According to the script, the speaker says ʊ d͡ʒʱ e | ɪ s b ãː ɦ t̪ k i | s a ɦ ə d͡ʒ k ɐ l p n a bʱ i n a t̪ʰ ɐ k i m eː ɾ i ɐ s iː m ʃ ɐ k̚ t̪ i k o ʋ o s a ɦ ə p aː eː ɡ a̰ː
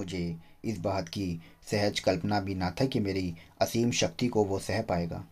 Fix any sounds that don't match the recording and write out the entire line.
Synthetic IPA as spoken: ʊ d͡ʒʱ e | ɪ s b aː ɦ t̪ k i | s ɛ ɦ ə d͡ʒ k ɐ l p n a bʱ i n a t̪ʰ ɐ k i m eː ɾ i ɐ s iː m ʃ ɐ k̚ t̪ i k o ʋ o s ɛ ɦ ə p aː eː ɡ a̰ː